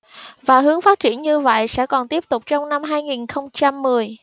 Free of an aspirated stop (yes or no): yes